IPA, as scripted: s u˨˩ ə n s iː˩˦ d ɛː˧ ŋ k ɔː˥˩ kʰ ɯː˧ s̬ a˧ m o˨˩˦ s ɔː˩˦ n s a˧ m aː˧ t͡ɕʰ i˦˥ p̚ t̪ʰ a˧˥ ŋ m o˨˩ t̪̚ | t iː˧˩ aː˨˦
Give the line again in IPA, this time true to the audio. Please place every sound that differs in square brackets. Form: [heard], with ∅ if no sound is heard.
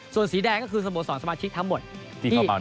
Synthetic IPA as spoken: s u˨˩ ə n s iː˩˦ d ɛː˧ ŋ k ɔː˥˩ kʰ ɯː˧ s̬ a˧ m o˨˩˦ s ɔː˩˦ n s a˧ m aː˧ t͡ɕʰ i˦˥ [k̚] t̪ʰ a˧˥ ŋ m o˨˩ t̪̚ | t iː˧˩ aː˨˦